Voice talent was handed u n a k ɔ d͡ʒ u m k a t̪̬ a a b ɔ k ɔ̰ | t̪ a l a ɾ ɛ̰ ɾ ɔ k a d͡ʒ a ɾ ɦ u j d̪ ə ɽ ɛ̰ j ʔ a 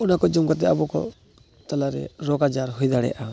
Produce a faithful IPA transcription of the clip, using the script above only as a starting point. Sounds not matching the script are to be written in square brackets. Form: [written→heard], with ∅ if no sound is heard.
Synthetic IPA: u n a k ɔ d͡ʒ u m k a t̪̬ [a→ɛ] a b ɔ k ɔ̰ | t̪ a l a ɾ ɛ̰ ɾ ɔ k a d͡ʒ a ɾ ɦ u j d̪ [ə→a] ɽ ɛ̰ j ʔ a